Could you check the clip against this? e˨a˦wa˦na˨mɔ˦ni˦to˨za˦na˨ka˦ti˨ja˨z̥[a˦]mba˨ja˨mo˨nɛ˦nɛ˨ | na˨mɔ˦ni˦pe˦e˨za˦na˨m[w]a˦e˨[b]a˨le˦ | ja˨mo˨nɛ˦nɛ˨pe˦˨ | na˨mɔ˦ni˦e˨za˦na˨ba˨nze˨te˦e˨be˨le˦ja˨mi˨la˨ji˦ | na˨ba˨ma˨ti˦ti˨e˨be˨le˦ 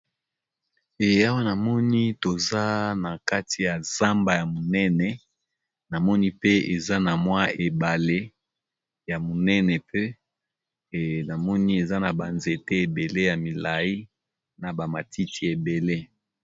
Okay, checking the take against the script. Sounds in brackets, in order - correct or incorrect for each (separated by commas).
correct, correct, correct